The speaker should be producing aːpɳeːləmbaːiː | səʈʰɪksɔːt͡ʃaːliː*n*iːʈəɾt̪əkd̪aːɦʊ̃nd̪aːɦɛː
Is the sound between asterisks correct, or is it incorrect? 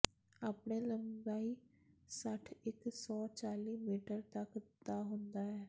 incorrect: m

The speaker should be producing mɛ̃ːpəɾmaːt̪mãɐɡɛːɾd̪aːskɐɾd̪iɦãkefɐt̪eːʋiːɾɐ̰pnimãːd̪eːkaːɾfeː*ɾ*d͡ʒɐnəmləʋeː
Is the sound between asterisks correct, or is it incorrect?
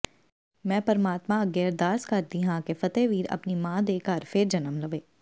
correct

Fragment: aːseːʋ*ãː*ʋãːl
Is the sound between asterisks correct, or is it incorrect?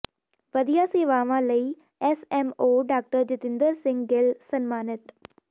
incorrect: aː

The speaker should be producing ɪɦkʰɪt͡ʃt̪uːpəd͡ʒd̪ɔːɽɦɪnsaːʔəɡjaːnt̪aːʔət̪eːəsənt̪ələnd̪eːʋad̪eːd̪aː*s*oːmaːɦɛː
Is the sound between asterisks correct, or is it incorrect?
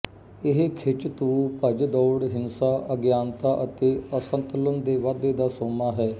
correct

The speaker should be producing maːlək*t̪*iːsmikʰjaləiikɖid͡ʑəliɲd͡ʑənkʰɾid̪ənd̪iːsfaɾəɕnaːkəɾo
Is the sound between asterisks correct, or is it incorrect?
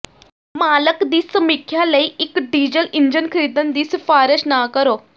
incorrect: d̪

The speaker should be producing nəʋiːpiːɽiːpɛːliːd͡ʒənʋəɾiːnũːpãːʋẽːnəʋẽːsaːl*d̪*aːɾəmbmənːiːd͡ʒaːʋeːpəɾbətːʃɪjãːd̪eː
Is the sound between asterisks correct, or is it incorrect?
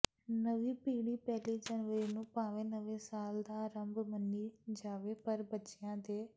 correct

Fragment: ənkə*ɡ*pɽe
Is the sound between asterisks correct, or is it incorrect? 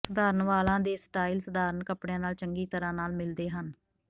incorrect: none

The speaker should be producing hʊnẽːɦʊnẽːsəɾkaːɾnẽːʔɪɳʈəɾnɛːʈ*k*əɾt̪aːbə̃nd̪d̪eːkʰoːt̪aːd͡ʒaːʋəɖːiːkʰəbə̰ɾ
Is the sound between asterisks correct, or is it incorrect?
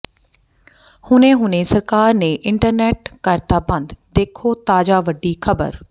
correct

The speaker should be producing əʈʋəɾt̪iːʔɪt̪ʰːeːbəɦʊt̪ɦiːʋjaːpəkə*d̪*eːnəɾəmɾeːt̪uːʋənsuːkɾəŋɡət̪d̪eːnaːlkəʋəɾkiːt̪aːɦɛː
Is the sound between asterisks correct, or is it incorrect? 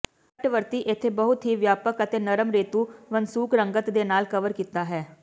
incorrect: t̪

